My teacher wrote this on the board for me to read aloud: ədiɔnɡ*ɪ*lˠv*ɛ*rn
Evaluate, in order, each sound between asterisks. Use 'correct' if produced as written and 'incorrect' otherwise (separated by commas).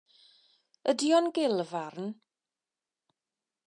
correct, incorrect